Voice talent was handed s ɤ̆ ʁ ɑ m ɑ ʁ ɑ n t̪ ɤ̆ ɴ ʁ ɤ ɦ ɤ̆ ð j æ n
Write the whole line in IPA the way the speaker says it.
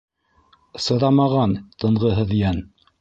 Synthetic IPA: s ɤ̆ ð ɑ m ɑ ʁ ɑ n t̪ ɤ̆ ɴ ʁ ɤ ɦ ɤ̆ ð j æ n